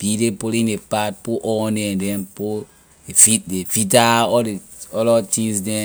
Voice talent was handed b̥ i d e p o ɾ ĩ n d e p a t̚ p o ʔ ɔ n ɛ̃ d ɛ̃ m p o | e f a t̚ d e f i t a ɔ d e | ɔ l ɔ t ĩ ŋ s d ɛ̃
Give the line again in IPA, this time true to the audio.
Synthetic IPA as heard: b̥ i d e p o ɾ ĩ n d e p a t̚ p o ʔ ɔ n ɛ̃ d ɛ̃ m p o | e f i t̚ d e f i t a ɔ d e | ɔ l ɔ t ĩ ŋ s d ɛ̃